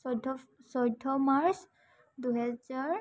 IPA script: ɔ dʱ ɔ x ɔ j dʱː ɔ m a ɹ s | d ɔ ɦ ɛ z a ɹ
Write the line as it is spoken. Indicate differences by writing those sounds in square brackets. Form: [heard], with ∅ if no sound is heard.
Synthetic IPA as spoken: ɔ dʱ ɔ [s] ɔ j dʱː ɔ m a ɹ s | d [u] ɦ ɛ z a ɹ

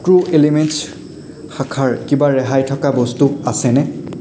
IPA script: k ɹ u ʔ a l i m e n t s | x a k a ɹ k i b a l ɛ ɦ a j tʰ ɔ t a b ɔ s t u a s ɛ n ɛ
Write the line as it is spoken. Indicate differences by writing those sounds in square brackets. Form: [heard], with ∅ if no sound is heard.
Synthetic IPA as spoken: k ɹ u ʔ [e] l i m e n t s | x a [kʰ] a ɹ k i b a [ɹ] ɛ ɦ a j tʰ ɔ [k] a b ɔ s t u a s ɛ n ɛ

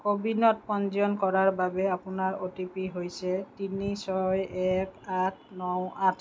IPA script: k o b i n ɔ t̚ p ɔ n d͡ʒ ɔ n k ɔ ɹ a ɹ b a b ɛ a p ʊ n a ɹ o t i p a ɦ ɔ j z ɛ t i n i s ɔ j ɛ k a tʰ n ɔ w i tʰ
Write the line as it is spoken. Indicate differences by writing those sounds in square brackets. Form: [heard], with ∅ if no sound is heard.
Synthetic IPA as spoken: k o b i n ɔ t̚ p ɔ n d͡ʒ ɔ n k ɔ ɹ a ɹ b a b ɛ a p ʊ n a ɹ o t i p [i] ɦ [o] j [s] ɛ t i n i s ɔ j ɛ k a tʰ n ɔ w [a] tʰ

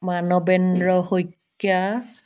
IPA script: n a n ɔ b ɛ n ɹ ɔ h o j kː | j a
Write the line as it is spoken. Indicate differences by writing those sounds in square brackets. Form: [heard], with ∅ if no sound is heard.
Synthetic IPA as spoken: [m] a n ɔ b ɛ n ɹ ɔ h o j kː | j a

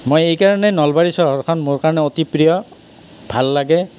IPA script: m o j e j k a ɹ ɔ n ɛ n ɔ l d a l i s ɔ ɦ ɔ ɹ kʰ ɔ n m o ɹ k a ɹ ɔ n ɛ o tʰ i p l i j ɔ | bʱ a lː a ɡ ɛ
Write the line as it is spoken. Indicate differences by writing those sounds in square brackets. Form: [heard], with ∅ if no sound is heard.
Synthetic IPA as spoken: m o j e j k a ɹ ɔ n ɛ n ɔ l [b] a [ɹ] i s ɔ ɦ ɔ ɹ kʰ ɔ n m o ɹ k a ɹ ɔ n ɛ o [t] i p [ɹ] i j ɔ | bʱ a lː a ɡ ɛ

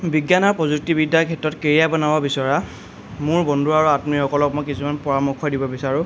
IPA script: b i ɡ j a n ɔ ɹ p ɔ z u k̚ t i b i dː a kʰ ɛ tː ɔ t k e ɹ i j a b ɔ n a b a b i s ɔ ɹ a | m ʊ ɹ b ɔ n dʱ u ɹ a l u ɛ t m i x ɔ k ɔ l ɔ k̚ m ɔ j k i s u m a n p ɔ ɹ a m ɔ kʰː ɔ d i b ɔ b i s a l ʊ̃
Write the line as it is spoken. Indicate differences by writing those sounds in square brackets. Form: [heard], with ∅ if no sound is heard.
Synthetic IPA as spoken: b i ɡ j a n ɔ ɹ p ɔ z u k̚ t i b i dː a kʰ ɛ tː ɔ t k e ɹ i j a b ɔ n a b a b i s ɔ ɹ a | m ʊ ɹ b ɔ n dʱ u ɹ a [ɹ] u [a] t m i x ɔ k ɔ l ɔ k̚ m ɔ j k i s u m a n p ɔ ɹ a m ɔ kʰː ɔ d i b ɔ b i s a [ɹ] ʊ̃

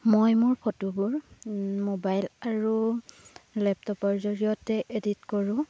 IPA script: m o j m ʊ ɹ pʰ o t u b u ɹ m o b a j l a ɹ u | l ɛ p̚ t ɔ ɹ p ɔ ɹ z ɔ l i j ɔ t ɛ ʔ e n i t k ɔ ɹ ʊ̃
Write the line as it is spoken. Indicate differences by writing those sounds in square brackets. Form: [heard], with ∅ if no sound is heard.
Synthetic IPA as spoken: m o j m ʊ ɹ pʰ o t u b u ɹ m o b a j l a ɹ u | l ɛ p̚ t ɔ [∅] p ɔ ɹ z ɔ [ɹ] i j ɔ t ɛ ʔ e [d] i t k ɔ ɹ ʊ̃

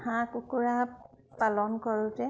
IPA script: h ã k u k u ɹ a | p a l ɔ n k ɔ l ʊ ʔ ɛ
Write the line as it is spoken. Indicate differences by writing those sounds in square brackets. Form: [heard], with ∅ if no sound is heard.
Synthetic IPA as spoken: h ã k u k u ɹ a | p a l ɔ n k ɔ [ɹ] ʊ [t] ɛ

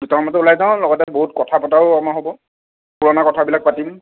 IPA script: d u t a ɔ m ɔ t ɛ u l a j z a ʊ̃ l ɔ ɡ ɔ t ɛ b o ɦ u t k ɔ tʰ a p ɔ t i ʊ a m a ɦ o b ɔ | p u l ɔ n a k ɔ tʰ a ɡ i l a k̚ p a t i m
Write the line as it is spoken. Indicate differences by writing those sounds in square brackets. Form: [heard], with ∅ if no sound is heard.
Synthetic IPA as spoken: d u t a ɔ m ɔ t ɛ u l a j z a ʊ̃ l ɔ ɡ ɔ t ɛ b o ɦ u t k ɔ tʰ a p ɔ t [a] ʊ a m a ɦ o b ɔ | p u [ɹ] ɔ n a k ɔ tʰ a [b] i l a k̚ p a t i m

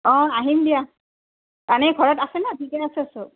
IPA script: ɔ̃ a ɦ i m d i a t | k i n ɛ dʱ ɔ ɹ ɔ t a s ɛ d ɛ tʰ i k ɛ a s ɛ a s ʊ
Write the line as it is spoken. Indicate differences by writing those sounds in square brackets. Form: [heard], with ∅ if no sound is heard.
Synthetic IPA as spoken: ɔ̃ a ɦ i m d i a [∅] | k [a] n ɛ [ɡʱ] ɔ ɹ ɔ t a s ɛ [n] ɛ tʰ i k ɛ a s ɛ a s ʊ

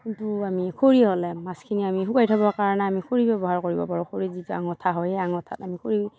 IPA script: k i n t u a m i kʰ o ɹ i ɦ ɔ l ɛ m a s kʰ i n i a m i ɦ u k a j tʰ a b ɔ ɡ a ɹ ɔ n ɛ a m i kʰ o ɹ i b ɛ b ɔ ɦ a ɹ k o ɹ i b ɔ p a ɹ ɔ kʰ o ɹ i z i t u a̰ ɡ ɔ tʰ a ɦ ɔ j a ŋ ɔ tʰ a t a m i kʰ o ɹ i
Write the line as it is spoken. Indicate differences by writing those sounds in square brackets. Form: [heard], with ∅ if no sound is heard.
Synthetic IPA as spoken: k i n t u a m i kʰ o ɹ i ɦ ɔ l ɛ m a s kʰ i n i a m i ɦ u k a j tʰ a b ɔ [k] a ɹ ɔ n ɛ a m i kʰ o ɹ i b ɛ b ɔ ɦ a ɹ k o ɹ i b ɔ p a ɹ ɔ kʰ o ɹ i z i t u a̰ [ŋ] ɔ tʰ a ɦ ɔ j a ŋ ɔ tʰ a t a m i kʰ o ɹ i

